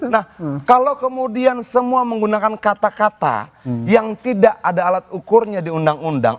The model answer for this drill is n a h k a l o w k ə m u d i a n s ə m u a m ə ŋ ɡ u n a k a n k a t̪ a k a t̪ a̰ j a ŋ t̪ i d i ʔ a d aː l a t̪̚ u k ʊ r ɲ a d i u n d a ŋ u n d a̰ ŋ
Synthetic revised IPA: n a h k a l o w k ə m u d i a n s ə m u a m ə ŋ ɡ u n a k a n k a t̪ a k a t̪ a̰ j a ŋ t̪ i d a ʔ a d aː l a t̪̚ u k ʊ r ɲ a d i u n d a ŋ u n d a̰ ŋ